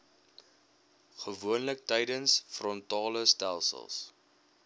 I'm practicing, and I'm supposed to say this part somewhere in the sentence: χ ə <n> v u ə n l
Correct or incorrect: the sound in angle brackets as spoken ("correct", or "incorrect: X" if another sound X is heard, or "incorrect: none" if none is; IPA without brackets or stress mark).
incorrect: none